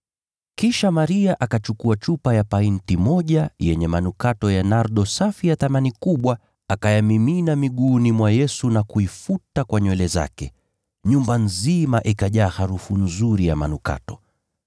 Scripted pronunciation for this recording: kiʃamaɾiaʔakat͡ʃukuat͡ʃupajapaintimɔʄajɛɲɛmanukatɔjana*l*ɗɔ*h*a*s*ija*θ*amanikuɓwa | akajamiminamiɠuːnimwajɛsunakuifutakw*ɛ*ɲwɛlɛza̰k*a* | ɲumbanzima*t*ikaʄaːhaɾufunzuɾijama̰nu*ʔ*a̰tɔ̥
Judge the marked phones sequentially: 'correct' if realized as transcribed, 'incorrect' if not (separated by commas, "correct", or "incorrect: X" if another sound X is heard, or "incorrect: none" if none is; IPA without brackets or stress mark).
incorrect: ɾ, incorrect: s, incorrect: f, correct, incorrect: a, incorrect: ɛ, incorrect: ʔ, incorrect: k